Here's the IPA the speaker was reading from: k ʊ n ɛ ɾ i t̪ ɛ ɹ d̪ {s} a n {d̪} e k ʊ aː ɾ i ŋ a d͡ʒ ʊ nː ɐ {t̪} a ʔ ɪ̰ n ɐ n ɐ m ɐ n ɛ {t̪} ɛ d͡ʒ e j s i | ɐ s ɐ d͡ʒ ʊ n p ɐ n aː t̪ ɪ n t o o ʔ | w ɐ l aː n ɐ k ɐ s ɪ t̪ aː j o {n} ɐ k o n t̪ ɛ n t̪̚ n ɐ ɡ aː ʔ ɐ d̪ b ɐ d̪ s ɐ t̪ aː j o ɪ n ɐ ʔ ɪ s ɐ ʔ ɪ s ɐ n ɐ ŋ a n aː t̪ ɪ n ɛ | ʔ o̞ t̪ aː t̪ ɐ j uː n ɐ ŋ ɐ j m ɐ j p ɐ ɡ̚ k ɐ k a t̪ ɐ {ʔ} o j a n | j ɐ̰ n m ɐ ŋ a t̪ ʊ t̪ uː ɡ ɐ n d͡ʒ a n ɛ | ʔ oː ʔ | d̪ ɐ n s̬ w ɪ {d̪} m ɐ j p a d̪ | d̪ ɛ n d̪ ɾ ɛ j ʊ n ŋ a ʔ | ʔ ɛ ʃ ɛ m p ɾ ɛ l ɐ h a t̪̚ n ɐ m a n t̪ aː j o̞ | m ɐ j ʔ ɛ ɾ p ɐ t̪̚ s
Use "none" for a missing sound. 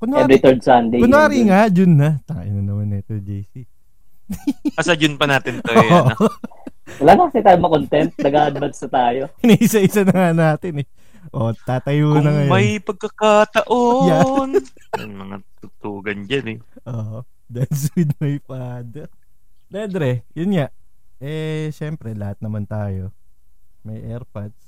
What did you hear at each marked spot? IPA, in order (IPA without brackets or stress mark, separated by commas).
s, d̪, t̪, t̪, m, ʔ, d̪